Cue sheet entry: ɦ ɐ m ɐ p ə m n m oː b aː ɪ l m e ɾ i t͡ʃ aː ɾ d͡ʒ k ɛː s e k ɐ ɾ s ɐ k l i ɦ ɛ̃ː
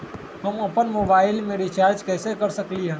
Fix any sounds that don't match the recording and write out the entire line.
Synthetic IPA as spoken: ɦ ɐ m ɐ p ə n m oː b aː ɪ l m e ɾ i t͡ʃ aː ɾ d͡ʒ k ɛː s e k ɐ ɾ s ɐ k l i ɦ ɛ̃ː